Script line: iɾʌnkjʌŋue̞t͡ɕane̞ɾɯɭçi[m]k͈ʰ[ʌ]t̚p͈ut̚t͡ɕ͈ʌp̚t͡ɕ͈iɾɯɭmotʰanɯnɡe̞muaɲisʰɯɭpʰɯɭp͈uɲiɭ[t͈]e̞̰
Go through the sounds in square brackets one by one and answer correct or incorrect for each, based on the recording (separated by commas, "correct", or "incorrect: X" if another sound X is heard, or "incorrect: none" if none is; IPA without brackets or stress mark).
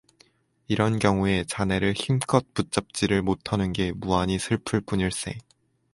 correct, correct, incorrect: s͈